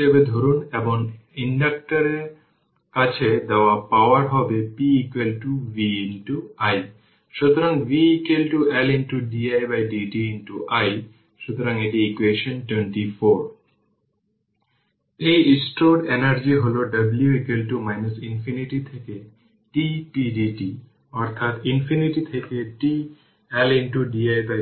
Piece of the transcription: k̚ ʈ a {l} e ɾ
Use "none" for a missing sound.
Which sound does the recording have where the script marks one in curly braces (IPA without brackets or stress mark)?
ɾ